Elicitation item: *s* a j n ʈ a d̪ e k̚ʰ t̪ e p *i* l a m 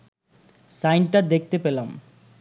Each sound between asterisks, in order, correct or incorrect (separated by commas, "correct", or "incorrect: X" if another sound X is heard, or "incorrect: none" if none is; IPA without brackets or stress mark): correct, incorrect: e